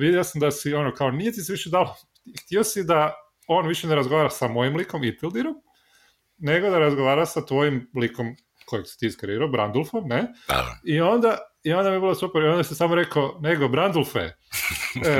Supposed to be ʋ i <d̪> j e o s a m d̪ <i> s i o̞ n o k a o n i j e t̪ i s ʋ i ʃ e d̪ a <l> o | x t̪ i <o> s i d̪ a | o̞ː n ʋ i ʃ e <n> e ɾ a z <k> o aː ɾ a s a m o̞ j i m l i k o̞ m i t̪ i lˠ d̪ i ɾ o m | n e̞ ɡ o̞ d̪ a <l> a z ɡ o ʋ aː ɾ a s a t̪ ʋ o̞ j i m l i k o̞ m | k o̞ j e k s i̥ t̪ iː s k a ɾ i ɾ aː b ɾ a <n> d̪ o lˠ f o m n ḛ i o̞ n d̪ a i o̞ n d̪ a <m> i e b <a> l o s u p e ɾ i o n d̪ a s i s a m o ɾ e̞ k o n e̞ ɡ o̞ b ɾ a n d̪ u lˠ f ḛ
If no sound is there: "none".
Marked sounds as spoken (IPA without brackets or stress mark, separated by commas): d̪, a, l, o, n, ɡ, ɾ, n, m, i